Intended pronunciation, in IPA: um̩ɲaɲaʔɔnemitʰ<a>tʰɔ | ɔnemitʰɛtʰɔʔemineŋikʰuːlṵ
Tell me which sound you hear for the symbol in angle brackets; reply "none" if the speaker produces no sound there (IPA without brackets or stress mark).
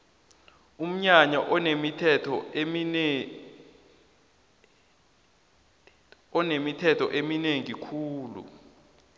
ɛ